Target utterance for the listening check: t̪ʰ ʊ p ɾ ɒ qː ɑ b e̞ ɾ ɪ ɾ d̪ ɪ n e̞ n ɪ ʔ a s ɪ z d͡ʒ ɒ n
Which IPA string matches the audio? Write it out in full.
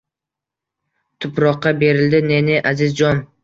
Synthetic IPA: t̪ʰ ʊ p ɾ ɒ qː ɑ b e̞ ɾ ɪ l d̪ ɪ n e̞ n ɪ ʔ a z ɪ z d͡ʒ ɒ n